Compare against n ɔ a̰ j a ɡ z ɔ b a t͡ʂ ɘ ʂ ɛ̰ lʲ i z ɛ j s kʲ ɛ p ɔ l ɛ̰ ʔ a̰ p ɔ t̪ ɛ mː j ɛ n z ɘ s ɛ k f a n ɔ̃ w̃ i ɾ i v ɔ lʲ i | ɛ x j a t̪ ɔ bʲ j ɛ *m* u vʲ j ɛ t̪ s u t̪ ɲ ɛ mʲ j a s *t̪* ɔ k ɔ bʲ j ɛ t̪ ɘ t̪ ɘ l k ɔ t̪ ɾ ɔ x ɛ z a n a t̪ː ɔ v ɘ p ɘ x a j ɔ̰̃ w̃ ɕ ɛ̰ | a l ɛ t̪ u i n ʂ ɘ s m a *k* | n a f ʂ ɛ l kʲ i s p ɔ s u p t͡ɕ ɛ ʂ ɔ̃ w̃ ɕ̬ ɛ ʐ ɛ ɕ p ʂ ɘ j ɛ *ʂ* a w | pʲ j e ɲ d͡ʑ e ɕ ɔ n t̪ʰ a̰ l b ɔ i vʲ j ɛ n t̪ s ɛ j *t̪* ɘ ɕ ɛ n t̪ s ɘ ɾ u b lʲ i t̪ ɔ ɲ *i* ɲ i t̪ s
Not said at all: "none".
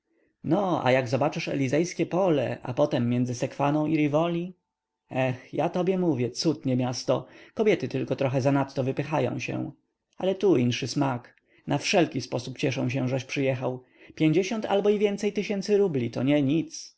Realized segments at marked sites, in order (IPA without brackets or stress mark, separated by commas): m, t̪, k, x, t̪, ɛ